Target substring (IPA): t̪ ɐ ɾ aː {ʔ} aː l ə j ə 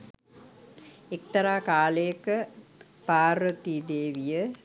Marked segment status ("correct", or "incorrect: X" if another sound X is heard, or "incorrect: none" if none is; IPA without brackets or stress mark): incorrect: k